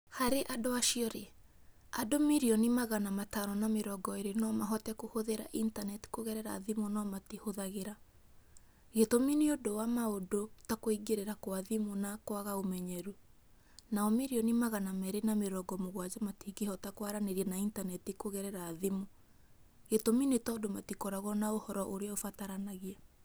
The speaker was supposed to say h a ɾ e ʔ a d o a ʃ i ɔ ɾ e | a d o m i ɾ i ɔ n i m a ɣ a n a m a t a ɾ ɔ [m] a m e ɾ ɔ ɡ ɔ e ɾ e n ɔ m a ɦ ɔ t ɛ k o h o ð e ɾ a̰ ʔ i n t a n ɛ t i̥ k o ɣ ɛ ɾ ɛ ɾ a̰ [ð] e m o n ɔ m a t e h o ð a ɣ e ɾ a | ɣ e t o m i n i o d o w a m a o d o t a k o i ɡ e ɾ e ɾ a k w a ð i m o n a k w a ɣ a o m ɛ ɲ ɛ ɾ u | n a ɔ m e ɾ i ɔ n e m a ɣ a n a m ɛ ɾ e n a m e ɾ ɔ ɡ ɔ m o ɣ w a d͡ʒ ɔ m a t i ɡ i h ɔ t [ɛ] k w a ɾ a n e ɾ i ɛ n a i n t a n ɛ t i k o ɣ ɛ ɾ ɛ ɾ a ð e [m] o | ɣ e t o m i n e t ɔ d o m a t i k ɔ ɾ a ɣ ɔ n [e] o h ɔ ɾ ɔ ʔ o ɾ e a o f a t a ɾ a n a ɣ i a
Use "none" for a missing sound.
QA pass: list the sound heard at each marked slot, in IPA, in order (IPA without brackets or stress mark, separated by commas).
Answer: n, ð, a, m, a